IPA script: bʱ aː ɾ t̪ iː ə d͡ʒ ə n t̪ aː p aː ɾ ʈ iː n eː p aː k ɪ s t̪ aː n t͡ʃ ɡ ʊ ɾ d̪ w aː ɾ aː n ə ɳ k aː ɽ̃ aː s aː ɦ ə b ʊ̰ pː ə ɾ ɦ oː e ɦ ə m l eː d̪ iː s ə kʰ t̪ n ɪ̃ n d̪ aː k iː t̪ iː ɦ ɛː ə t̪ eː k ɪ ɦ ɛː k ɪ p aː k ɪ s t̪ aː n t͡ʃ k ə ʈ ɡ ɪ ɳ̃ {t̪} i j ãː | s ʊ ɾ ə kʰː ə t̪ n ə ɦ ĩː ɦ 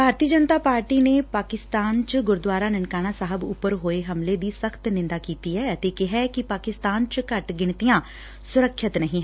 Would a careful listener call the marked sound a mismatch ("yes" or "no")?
no